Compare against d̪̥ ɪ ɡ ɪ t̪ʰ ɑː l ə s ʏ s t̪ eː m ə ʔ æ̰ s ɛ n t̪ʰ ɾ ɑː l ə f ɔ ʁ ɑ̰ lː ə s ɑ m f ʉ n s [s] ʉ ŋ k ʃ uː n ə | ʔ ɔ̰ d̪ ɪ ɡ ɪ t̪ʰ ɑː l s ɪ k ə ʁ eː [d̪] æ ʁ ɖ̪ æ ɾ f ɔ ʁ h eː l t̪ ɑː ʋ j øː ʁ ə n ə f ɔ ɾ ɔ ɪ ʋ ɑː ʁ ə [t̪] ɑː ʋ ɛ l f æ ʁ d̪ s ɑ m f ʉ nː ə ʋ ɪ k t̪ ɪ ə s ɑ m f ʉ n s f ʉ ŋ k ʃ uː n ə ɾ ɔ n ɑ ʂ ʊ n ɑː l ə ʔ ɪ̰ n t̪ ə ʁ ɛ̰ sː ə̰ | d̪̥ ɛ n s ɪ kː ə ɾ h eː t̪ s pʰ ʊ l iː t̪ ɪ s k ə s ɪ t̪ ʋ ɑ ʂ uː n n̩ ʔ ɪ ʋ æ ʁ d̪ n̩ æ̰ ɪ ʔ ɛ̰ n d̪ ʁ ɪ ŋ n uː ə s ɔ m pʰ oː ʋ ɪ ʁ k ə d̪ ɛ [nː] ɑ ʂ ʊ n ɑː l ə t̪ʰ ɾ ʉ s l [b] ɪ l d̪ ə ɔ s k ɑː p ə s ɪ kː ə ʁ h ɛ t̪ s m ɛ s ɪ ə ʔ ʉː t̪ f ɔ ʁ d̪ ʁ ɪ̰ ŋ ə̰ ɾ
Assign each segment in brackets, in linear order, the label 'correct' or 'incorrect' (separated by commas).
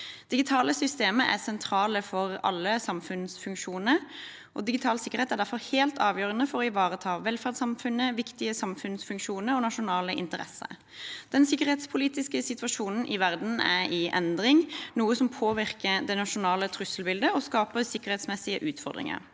incorrect, incorrect, incorrect, incorrect, correct